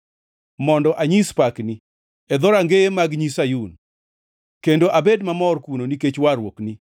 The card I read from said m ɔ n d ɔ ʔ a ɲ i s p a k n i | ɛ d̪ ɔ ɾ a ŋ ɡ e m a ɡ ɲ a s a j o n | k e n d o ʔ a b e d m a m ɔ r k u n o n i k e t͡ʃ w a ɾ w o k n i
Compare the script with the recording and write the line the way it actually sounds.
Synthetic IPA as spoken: m ɔ n d ɔ ʔ a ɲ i s p a k n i | ɛ d̪ ɔ ɾ a ŋ ɡ e m a ɡ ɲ i s a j u n | k e n d o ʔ a b e d m a m ɔ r k u n o n i k e t͡ʃ w a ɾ w o k n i